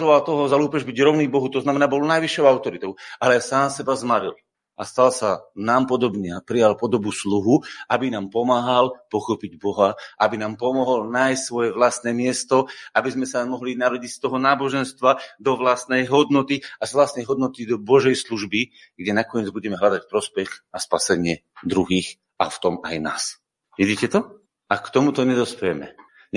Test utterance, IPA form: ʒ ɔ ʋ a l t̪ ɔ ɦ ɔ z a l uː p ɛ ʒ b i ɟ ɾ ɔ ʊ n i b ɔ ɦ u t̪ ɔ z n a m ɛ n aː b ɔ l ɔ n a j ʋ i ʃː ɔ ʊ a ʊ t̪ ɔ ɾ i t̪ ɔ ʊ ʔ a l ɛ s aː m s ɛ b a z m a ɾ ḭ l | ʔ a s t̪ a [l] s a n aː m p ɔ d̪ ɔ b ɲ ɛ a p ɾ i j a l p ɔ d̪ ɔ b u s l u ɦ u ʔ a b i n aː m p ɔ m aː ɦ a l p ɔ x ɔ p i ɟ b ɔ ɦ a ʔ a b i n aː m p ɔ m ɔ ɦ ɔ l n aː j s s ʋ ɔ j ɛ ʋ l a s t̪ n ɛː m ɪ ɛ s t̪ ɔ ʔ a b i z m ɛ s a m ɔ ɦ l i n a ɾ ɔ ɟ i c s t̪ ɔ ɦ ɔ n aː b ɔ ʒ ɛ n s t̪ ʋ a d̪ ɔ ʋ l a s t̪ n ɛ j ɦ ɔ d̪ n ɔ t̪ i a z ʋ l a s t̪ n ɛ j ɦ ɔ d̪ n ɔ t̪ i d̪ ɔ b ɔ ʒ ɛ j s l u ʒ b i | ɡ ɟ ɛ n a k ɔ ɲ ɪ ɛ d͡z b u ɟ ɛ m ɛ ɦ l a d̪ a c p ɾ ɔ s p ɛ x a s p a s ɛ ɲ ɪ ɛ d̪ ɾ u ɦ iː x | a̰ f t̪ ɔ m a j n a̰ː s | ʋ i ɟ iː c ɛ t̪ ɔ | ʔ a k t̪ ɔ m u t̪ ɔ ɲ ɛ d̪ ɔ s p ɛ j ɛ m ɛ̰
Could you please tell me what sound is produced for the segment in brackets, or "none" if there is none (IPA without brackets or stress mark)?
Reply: l